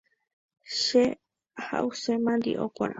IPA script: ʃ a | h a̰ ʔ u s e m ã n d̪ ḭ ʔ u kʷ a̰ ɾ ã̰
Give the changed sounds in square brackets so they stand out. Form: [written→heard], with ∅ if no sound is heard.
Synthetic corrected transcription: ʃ [a→e] | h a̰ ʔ u s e m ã n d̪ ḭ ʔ [u→o] kʷ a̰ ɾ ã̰